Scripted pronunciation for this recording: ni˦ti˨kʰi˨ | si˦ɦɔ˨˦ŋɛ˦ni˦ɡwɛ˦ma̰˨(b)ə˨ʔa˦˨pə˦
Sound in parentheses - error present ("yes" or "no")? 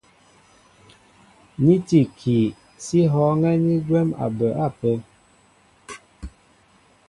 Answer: no